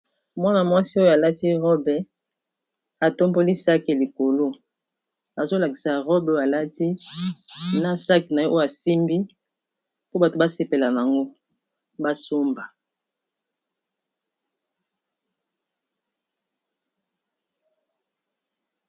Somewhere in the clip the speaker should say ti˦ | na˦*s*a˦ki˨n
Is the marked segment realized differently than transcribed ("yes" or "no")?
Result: no